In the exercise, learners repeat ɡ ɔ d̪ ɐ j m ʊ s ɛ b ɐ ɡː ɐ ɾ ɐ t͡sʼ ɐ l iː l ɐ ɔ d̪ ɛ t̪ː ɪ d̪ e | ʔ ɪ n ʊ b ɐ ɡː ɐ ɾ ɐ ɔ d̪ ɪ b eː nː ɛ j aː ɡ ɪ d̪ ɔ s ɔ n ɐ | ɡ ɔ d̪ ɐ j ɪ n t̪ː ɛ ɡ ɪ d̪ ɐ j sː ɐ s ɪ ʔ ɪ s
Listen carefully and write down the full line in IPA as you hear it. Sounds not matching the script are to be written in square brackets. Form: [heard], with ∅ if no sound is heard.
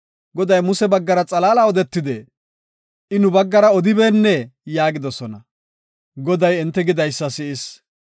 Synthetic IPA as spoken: ɡ ɔ d̪ ɐ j m ʊ s ɛ b ɐ ɡː ɐ ɾ ɐ t͡sʼ ɐ l [aː] l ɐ ɔ d̪ ɛ t̪ː ɪ d̪ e | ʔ ɪ n ʊ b ɐ ɡː ɐ ɾ ɐ ɔ d̪ ɪ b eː nː ɛ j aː ɡ ɪ d̪ ɔ s ɔ n ɐ | ɡ ɔ d̪ ɐ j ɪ n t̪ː ɛ ɡ ɪ d̪ ɐ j sː ɐ s ɪ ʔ ɪ s